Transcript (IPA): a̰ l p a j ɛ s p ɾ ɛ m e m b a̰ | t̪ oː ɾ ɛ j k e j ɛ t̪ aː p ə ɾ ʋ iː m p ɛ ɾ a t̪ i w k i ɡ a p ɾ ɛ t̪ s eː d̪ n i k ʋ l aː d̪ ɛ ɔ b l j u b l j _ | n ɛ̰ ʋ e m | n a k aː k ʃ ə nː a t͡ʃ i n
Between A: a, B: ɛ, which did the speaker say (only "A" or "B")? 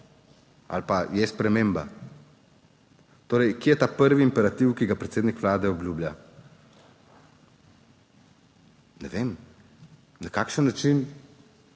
A